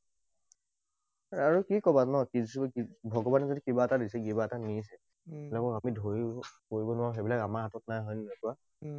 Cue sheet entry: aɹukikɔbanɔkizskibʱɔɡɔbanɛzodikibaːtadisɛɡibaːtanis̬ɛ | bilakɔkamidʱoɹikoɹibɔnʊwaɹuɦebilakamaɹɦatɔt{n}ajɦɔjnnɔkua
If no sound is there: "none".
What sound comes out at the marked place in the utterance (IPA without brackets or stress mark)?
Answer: n